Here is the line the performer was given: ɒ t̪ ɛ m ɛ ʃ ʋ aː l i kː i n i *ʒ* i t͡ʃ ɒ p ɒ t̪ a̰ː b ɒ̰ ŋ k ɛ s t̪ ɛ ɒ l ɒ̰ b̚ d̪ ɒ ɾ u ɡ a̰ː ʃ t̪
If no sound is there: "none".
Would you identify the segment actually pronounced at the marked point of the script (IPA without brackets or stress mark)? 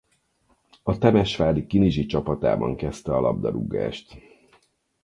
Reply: ʒ